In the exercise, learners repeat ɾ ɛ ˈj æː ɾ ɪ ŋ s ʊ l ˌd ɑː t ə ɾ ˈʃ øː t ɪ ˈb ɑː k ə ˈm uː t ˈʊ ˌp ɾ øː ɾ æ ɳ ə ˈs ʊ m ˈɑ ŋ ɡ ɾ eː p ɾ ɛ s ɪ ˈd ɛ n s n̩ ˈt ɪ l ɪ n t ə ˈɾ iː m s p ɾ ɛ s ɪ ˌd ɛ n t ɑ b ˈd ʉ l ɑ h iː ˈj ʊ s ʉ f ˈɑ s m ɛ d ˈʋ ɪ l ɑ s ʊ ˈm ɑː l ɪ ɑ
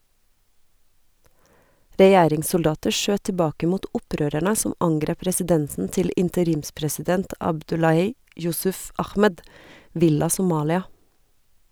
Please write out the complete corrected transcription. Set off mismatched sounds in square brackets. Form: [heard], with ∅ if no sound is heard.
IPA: ɾ ɛ ˈj æː ɾ ɪ ŋ s ʊ l ˌd ɑː t ə ɾ ˈʃ øː t ɪ ˈb ɑː k ə ˈm uː t ˈʊ ˌp ɾ øː ɾ æ ɳ ə ˈs ʊ m ˈɑ ŋ ɡ ɾ eː p ɾ ɛ s ɪ ˈd ɛ n s n̩ ˈt ɪ l ɪ n t ə ˈɾ iː m s p ɾ ɛ s ɪ ˌd ɛ n t ɑ b ˈd ʉ l ɑ h iː ˈj ʊ s ʉ f ˈɑ [x] m ɛ d ˈʋ ɪ l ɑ s ʊ ˈm ɑː l ɪ ɑ